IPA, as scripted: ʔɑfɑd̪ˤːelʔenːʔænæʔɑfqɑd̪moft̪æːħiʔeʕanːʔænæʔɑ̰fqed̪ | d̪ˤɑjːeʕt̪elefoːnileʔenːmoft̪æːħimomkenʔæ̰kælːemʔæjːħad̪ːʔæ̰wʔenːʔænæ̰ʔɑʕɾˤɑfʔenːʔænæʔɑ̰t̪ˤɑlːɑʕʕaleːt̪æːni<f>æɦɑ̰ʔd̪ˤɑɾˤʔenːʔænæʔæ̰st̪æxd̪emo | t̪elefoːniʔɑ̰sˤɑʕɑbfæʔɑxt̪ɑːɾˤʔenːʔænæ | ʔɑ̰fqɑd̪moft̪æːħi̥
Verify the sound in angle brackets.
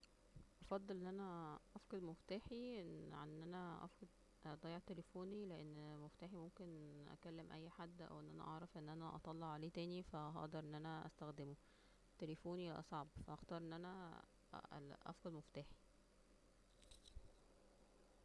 correct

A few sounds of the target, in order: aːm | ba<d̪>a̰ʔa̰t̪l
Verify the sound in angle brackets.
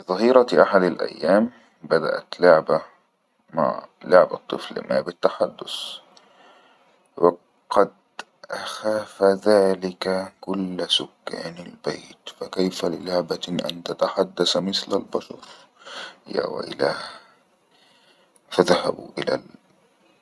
correct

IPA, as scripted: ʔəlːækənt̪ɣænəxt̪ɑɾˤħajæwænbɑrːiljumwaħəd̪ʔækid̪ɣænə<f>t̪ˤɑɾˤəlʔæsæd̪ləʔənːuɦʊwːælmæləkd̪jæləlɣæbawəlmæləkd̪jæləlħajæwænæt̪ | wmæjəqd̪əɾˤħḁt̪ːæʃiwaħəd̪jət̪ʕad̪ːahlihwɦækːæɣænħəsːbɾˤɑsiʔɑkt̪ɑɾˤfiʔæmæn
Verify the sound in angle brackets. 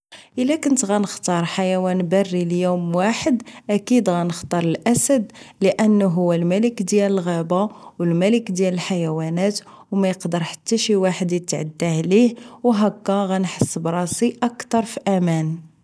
incorrect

